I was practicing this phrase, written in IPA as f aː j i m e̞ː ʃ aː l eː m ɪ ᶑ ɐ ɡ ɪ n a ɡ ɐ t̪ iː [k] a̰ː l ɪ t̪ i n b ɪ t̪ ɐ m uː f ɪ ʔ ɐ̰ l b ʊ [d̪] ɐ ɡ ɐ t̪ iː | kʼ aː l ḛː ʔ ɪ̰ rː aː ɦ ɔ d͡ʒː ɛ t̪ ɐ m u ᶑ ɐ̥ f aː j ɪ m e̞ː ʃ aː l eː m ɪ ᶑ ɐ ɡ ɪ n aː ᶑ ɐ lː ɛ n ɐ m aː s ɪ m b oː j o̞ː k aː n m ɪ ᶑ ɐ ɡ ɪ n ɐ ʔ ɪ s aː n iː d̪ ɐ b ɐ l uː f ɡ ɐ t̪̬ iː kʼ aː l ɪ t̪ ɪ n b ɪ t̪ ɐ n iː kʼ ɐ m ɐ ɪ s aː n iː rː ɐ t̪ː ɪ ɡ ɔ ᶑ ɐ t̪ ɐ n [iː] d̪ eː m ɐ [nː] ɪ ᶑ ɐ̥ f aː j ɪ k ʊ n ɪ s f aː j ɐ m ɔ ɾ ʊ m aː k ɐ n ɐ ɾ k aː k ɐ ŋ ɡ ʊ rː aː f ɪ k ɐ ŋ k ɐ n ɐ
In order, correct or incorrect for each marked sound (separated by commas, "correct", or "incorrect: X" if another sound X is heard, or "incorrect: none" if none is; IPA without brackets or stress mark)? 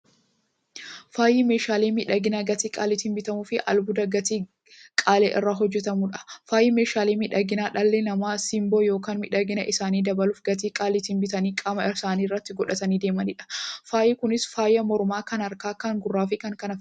incorrect: kʼ, correct, correct, incorrect: n